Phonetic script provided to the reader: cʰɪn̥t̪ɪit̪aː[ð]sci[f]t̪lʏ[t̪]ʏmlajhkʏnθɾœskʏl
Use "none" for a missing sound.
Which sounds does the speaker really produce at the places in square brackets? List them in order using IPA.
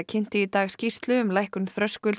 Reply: ɣ, s, none

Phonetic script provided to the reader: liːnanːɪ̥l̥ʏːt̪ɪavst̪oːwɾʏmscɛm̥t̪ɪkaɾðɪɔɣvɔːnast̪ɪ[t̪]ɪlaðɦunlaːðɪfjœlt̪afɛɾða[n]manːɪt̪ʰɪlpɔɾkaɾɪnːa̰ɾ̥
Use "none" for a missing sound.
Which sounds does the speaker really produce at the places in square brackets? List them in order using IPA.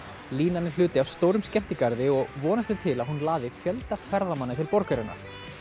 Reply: t̪ʰ, none

